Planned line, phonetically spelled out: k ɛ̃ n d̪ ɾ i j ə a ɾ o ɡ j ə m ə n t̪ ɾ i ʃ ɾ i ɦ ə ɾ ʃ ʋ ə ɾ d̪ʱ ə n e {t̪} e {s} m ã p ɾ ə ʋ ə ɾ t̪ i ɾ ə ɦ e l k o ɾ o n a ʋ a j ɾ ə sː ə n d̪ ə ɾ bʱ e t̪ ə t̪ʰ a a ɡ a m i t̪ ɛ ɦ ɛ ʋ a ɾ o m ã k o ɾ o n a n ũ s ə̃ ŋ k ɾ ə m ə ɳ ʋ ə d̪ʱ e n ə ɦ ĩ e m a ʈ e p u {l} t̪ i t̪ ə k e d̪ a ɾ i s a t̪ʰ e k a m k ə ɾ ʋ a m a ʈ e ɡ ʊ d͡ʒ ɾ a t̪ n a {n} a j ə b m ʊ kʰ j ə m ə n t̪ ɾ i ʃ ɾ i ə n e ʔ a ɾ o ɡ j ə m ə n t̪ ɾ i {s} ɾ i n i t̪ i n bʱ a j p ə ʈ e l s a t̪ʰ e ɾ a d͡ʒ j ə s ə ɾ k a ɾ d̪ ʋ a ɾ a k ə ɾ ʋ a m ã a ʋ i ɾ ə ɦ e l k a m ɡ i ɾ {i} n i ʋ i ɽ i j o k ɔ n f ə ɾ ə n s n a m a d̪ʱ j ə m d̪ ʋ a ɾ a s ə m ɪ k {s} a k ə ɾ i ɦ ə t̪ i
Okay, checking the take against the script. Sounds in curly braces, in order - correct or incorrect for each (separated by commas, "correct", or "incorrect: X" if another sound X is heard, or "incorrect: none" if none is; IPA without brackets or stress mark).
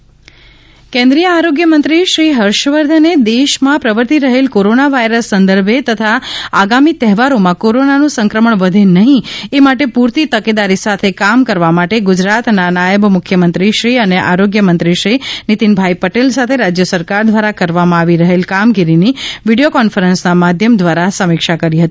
incorrect: d̪, incorrect: ʃ, incorrect: ɾ, correct, incorrect: ʃ, correct, incorrect: ʃ